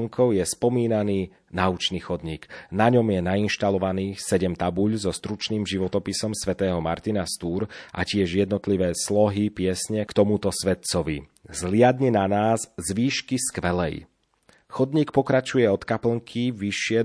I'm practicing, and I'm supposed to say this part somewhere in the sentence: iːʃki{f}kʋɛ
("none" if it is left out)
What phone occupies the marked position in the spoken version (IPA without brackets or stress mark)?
s